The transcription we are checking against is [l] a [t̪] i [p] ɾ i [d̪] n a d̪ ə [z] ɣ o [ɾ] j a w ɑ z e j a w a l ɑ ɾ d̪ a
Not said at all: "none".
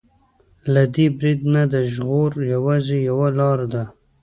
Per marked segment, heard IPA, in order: l, d̪, b, d̪, ʒ, ɾ

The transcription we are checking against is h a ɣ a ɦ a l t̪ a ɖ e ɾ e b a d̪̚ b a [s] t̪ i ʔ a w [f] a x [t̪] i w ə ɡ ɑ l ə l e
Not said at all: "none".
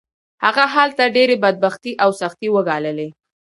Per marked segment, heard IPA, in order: x, s, t̪

